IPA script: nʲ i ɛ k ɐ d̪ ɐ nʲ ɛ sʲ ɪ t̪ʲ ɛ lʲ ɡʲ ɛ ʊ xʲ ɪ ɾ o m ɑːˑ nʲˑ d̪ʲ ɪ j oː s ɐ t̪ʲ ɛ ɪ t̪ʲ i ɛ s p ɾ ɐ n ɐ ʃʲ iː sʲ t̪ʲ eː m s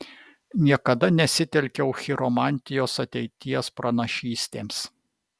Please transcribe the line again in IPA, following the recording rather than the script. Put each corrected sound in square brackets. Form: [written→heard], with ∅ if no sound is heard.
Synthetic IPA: nʲ i ɛ k ɐ d̪ ɐ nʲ ɛ sʲ ɪ t̪ʲ ɛ lʲ [ɡʲ→kʲ] ɛ ʊ xʲ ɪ ɾ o m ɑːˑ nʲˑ [d̪ʲ→t̪ʲ] ɪ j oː s ɐ t̪ʲ ɛ ɪ t̪ʲ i ɛ s p ɾ ɐ n ɐ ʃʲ iː sʲ t̪ʲ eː m s

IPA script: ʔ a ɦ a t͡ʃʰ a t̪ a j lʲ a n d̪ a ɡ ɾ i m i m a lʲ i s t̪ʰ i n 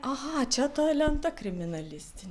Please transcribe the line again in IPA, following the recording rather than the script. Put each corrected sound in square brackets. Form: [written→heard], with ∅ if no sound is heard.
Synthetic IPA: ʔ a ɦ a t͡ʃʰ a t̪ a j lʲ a n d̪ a [ɡ→k] ɾ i m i [m→n] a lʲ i s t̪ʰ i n

